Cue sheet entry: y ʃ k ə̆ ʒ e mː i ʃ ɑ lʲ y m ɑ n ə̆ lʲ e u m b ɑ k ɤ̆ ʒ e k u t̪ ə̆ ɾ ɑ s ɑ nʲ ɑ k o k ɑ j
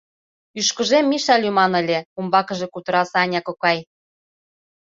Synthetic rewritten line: y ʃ k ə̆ ʒ e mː i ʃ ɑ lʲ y m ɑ n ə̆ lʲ e u m b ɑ k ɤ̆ ʒ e k u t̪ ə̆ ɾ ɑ s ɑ nʲ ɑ k o k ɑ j